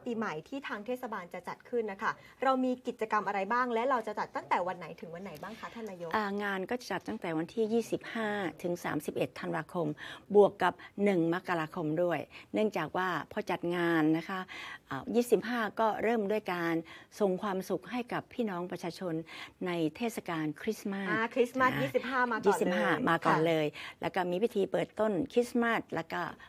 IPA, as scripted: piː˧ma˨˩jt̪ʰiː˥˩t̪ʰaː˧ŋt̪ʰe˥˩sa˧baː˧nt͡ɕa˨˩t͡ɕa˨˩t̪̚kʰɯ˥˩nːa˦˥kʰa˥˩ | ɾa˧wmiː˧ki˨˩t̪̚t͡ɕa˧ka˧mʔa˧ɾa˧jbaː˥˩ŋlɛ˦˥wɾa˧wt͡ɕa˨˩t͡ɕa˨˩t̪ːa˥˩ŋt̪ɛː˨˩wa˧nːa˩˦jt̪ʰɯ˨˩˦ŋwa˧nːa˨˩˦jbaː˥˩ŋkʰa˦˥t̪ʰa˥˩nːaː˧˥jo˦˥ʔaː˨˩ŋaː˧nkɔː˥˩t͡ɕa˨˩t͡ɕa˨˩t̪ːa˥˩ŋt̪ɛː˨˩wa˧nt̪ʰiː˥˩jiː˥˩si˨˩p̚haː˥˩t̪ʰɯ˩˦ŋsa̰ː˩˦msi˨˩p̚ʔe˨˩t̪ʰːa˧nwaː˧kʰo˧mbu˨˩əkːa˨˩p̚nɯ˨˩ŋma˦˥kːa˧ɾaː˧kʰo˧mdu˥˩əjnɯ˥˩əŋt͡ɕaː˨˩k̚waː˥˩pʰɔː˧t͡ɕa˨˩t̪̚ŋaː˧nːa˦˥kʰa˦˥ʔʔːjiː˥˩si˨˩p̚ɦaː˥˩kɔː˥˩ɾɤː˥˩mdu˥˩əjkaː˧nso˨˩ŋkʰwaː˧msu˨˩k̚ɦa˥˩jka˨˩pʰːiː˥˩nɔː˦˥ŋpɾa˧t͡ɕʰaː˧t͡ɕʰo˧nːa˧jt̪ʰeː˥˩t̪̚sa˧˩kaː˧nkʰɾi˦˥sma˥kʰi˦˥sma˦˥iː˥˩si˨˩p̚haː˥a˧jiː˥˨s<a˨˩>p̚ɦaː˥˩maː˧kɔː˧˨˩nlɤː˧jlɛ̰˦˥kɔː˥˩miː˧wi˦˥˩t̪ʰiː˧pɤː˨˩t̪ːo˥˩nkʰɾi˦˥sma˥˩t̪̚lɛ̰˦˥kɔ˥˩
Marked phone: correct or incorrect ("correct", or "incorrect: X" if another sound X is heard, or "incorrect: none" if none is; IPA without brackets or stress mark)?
incorrect: i˨˩